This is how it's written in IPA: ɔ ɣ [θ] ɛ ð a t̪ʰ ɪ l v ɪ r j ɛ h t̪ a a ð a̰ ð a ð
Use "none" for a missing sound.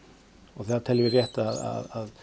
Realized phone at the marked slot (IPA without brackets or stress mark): θ